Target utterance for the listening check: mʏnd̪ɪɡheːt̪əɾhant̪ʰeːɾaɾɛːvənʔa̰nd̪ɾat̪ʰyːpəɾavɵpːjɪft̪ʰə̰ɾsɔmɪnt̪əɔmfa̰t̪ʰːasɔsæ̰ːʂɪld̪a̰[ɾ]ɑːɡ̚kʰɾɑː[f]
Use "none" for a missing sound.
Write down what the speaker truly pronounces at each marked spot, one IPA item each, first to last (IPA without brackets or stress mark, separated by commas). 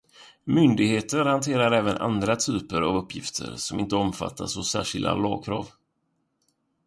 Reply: l, v